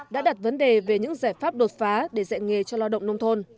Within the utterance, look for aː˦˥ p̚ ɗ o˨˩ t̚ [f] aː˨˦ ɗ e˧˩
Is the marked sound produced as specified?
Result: yes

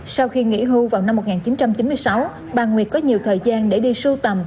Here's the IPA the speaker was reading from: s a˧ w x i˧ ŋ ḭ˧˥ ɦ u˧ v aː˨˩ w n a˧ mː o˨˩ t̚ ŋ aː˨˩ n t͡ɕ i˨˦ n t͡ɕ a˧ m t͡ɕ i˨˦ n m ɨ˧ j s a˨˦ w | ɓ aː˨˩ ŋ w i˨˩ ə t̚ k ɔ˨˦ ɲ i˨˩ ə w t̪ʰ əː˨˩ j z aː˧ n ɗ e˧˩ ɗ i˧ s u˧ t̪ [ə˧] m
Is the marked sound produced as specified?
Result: no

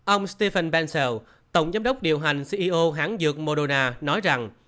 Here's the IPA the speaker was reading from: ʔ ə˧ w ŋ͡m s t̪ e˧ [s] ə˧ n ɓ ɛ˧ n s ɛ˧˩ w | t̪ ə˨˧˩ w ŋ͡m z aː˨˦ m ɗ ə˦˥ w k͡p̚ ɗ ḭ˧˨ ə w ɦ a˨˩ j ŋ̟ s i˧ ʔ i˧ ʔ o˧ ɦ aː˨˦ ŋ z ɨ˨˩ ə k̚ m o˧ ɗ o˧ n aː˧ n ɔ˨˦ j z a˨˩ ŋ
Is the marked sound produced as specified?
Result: no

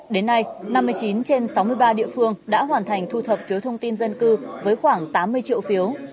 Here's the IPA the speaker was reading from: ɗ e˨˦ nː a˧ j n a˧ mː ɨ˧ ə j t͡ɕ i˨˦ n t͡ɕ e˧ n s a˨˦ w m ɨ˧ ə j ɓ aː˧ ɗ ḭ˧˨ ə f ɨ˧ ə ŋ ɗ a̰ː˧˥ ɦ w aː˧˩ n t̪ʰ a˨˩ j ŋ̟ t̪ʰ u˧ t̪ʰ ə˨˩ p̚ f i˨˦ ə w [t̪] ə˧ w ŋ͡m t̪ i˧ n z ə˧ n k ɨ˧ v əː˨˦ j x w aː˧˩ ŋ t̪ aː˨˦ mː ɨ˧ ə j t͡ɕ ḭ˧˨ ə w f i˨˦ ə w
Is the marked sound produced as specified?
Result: no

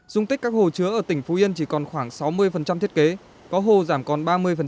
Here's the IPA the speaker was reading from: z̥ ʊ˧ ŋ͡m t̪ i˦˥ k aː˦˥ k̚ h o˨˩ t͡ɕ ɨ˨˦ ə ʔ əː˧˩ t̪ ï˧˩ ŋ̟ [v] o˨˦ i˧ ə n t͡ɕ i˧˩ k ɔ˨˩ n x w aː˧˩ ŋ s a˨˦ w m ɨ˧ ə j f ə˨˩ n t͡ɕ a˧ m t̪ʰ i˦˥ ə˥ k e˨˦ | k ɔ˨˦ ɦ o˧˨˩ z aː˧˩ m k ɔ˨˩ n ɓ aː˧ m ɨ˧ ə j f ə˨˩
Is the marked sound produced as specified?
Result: no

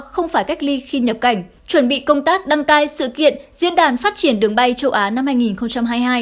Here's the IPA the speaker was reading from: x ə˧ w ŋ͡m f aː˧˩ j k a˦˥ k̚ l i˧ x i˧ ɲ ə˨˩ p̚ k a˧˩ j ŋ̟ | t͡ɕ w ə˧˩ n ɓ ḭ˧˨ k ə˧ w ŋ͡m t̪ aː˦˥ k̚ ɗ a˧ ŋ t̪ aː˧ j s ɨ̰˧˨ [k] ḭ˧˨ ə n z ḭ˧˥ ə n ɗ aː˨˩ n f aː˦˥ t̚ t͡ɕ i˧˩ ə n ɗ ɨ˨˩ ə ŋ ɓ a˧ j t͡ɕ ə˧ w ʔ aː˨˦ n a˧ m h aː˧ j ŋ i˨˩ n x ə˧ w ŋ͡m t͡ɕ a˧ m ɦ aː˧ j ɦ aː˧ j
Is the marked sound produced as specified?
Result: yes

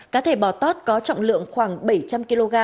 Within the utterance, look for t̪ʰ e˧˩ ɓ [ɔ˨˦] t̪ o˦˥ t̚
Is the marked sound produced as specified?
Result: no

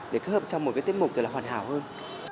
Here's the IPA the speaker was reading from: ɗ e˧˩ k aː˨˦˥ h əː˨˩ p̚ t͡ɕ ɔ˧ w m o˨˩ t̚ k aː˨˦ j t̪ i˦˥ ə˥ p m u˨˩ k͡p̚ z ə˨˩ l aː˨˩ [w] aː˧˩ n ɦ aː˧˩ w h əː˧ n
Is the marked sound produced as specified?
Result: yes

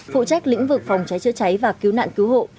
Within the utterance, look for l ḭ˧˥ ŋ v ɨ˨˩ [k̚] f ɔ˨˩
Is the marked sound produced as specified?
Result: yes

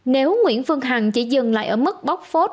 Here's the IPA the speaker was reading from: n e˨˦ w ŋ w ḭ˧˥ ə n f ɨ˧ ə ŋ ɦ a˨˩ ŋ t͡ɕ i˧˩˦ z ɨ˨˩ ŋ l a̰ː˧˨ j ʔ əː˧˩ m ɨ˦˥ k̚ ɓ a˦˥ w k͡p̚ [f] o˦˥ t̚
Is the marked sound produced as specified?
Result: yes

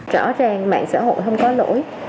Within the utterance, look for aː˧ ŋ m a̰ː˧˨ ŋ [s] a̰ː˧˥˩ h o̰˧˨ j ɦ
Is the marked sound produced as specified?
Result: yes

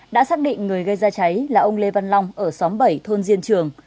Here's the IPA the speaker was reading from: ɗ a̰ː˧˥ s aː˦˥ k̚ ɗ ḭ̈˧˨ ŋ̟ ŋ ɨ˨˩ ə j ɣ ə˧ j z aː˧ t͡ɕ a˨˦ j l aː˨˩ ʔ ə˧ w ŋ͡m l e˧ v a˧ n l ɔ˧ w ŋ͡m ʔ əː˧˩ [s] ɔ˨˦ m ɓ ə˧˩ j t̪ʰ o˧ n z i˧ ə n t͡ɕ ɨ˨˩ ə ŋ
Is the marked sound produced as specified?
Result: yes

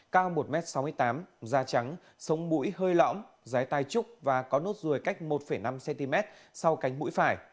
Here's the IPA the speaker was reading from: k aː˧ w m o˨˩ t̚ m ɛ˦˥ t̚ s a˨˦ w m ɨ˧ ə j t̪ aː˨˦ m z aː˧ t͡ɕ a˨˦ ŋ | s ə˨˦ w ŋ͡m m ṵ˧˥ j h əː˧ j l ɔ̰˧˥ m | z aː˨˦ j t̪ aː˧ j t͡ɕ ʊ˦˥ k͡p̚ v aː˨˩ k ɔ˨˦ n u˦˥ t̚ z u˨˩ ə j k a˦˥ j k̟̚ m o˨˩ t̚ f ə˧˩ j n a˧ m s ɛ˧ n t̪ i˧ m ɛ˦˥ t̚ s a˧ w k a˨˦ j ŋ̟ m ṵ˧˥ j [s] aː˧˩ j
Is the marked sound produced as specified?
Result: no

